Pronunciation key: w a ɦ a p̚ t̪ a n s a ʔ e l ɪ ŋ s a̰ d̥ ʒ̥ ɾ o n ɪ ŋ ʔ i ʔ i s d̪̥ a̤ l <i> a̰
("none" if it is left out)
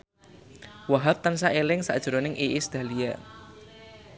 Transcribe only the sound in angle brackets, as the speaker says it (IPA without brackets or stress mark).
i